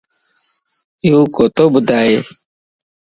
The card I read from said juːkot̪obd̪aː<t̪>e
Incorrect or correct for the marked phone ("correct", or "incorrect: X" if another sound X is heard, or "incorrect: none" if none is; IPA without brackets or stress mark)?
incorrect: none